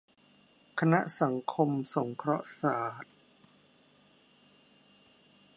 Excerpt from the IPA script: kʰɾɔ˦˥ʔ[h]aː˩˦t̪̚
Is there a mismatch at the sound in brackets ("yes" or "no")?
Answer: yes